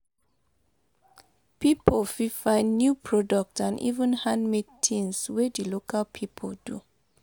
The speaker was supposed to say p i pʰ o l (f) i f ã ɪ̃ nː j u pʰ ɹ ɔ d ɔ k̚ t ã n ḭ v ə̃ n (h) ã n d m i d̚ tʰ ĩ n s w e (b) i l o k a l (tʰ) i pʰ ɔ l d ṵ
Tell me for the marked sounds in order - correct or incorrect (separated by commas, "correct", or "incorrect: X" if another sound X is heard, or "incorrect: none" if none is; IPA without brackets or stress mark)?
correct, correct, incorrect: d, incorrect: pʰ